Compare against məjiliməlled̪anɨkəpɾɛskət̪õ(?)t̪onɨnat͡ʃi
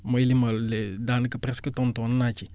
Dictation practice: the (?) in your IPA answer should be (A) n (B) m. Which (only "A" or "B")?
A